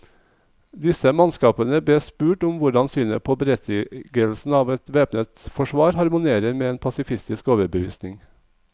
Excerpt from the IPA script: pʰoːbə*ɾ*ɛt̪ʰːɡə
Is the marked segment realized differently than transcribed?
no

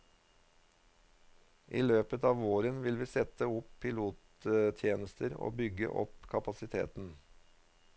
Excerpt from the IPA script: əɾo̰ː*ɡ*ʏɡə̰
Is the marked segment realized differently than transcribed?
yes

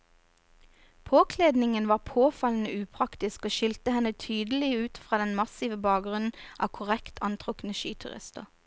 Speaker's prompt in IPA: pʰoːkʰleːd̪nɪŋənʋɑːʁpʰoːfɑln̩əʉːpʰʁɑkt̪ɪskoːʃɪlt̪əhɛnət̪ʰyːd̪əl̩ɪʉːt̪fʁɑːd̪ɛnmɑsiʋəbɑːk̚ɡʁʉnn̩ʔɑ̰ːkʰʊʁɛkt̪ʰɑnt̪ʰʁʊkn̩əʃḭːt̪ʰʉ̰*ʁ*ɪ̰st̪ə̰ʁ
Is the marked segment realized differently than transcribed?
no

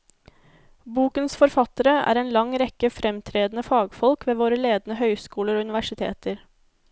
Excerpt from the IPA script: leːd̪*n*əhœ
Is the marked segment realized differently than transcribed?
no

